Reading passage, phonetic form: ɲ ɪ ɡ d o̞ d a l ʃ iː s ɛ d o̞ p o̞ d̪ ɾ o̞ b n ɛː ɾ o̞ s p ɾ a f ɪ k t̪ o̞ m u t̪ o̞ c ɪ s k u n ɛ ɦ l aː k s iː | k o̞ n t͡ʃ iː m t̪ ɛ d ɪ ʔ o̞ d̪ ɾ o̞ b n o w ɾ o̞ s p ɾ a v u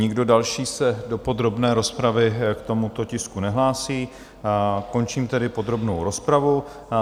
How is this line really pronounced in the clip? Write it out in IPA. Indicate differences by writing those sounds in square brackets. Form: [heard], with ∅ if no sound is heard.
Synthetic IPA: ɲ ɪ ɡ d o̞ d a l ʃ iː s ɛ d o̞ p o̞ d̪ ɾ o̞ b n ɛː ɾ o̞ s p ɾ a [v] ɪ k t̪ o̞ m u t̪ o̞ c ɪ s k u n ɛ ɦ l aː [∅] s iː | k o̞ n t͡ʃ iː m t̪ ɛ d ɪ [p] o̞ d̪ ɾ o̞ b n o w ɾ o̞ s p ɾ a v u